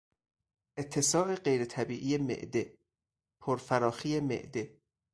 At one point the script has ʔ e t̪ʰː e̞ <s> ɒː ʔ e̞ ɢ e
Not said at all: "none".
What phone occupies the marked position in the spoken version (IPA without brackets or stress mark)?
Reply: s